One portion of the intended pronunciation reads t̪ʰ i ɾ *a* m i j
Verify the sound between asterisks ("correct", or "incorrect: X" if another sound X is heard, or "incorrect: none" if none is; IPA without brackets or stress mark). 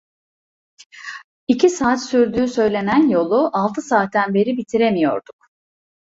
incorrect: e